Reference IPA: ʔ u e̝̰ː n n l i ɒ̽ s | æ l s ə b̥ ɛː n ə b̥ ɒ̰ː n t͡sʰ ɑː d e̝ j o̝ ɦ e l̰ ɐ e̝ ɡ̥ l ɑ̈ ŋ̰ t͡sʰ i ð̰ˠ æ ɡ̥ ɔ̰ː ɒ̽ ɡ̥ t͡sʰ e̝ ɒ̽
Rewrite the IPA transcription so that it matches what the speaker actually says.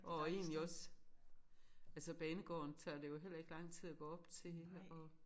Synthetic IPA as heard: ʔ ɒ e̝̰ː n n l i ɒ̽ s | æ l s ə b̥ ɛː n ə ɡ̥ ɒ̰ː n t͡sʰ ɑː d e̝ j o̝ ɦ e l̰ ɐ e̝ ɡ̥ l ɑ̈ ŋ̰ t͡sʰ i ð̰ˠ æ ɡ̥ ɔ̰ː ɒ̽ b̥ t͡sʰ e̝ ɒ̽